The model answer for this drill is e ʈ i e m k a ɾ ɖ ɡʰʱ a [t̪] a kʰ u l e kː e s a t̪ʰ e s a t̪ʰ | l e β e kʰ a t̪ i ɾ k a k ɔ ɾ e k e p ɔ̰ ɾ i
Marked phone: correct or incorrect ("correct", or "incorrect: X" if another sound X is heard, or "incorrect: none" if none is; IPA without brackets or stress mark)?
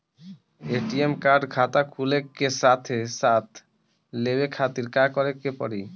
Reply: correct